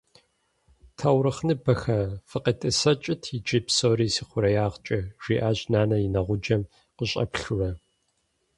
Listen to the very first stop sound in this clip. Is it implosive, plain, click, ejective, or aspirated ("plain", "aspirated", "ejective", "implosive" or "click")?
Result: aspirated